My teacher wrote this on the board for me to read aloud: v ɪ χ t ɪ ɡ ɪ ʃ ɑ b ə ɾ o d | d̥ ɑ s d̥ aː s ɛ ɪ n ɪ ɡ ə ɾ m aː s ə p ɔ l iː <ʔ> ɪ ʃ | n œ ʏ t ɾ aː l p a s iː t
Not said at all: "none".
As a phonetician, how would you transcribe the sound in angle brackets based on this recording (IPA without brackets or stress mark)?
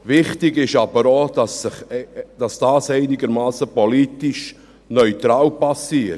t